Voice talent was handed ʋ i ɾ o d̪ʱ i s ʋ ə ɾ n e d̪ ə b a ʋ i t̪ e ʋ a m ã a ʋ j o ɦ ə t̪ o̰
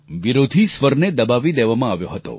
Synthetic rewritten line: ʋ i ɾ o d̪ʱ i s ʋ ə ɾ n e d̪ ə b a ʋ i d̪ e ʋ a m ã a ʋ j o ɦ ə t̪ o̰